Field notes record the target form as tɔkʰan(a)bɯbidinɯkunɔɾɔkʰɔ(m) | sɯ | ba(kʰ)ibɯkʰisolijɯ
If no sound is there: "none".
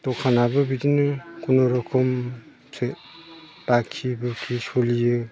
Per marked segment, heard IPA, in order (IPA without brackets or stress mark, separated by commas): a, m, kʰ